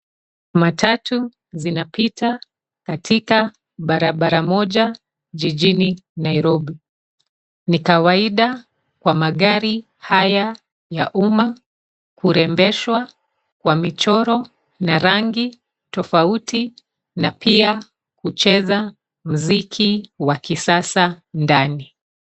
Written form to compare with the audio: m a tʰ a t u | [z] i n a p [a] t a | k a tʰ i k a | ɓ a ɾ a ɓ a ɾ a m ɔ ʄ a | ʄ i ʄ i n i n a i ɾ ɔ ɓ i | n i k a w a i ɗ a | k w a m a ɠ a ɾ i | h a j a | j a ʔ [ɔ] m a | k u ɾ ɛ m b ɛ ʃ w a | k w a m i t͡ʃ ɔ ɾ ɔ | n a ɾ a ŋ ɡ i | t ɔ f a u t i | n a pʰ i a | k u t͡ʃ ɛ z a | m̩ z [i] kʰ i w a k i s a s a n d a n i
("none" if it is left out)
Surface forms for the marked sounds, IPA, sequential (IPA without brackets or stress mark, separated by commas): z, i, u, i